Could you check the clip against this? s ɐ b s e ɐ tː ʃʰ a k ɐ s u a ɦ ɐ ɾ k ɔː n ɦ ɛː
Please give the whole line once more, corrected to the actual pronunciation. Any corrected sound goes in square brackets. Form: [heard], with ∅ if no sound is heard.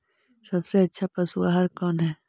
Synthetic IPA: s ɐ b s e ɐ tː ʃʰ a [p] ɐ s u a ɦ ɐ ɾ k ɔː n ɦ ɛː